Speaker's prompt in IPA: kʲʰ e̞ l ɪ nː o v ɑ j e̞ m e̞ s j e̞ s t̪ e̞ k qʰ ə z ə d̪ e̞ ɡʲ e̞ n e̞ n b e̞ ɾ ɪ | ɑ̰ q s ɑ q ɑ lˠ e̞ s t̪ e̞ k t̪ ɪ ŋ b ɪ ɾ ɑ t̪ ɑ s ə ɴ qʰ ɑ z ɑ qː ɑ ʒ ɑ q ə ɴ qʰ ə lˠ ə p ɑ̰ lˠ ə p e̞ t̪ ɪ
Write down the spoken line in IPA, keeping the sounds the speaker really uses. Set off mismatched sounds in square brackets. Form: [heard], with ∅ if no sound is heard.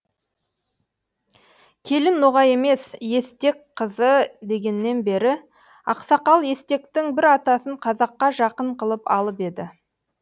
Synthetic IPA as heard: kʲʰ e̞ l ɪ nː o [ʁ] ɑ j e̞ m e̞ s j e̞ s t̪ e̞ k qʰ ə z ə d̪ e̞ ɡʲ e̞ [nː] e̞ n b e̞ ɾ ɪ | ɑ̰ q s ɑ q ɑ lˠ e̞ s t̪ e̞ k t̪ ɪ ŋ b ɪ ɾ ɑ t̪ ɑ s ə ɴ qʰ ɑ z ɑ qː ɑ ʒ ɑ q ə ɴ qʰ ə lˠ ə p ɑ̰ lˠ ə p e̞ [d̪] ɪ